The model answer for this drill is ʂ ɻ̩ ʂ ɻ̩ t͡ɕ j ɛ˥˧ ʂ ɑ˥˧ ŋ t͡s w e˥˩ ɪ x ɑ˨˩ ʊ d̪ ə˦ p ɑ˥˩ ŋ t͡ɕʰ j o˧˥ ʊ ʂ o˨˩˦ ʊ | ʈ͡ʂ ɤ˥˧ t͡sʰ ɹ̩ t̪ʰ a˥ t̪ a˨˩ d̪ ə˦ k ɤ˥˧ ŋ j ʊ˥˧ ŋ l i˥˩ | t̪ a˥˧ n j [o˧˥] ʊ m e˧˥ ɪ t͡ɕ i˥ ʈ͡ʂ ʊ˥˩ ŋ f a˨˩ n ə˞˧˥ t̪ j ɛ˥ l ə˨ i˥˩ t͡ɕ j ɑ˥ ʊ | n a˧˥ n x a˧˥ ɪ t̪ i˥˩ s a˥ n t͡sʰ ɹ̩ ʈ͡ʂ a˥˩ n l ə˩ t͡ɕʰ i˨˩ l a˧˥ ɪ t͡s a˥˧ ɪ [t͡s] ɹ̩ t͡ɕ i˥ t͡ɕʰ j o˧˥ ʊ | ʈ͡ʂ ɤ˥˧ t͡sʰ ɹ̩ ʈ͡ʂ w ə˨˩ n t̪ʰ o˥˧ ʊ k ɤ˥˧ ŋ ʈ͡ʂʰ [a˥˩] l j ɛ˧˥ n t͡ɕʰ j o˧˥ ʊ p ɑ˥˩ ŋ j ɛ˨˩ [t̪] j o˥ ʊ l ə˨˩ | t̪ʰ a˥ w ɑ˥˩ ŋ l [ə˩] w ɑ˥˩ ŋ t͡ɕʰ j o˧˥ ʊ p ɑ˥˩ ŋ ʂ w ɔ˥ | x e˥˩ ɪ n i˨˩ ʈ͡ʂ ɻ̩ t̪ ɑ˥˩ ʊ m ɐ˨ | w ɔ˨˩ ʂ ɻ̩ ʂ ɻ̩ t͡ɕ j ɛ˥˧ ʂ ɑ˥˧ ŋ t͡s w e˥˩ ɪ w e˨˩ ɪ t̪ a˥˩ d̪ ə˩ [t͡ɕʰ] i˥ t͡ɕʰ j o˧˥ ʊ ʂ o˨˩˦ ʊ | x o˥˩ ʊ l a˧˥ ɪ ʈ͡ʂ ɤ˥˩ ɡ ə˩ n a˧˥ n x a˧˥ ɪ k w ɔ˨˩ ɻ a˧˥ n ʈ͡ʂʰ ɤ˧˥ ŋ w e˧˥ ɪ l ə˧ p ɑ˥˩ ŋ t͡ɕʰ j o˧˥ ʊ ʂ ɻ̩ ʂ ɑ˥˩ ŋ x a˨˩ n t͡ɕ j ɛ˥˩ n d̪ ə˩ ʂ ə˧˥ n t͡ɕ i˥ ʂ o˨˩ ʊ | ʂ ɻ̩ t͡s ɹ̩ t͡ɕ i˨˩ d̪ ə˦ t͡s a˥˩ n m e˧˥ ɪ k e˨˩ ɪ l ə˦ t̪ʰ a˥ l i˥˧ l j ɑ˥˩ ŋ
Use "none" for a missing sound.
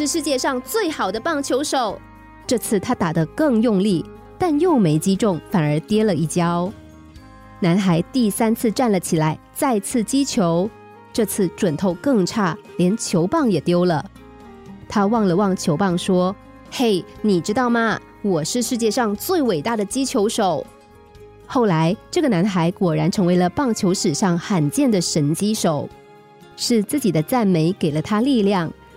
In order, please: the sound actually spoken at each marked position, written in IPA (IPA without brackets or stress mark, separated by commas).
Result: o˥˩, t͡sʰ, a˥˩, t̪, ə˩, t͡ɕ